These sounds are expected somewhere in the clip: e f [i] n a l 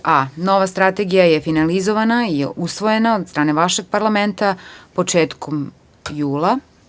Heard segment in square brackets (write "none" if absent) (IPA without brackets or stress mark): i